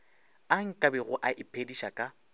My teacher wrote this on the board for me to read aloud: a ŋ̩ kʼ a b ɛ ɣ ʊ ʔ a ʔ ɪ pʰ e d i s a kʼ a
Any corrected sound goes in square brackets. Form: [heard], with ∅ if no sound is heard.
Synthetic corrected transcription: a ŋ̩ kʼ a b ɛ ɣ ʊ ʔ a ʔ ɪ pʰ e d i [ʃ] a kʼ a